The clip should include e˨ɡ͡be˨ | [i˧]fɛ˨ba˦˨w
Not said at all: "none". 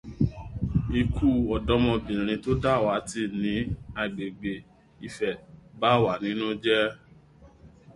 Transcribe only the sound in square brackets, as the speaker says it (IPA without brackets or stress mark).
i˧